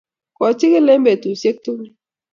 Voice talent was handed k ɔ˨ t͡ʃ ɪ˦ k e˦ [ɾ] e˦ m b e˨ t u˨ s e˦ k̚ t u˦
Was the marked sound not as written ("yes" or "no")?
yes